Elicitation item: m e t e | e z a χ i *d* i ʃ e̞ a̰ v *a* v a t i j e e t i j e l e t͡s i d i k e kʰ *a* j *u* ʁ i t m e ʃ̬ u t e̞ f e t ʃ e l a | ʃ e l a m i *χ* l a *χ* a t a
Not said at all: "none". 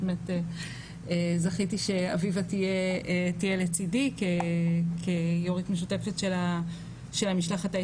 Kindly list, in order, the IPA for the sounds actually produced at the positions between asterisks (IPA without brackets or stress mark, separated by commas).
t, i, e, o, ʃ, χ